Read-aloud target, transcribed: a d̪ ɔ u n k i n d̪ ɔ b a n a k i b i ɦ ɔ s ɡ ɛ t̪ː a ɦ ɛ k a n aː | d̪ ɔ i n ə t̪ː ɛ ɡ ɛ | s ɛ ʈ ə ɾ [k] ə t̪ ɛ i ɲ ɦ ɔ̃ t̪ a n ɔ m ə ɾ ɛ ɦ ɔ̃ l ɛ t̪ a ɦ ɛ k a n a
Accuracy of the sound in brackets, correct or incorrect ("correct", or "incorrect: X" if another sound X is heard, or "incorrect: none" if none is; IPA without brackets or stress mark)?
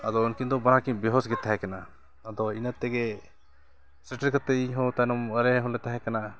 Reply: correct